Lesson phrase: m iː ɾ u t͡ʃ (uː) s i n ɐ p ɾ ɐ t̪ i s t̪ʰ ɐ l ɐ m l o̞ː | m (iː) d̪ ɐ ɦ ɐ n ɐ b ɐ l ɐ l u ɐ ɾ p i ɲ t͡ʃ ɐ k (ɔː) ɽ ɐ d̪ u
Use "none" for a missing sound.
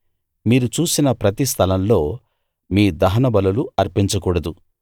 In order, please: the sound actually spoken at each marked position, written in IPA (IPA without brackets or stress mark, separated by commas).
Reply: uː, iː, uː